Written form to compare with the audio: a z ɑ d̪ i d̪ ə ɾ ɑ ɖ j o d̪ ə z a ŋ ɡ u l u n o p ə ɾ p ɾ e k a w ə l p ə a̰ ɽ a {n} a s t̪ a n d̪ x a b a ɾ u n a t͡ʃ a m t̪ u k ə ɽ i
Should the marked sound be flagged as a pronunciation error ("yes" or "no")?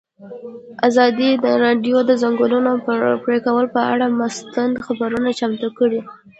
yes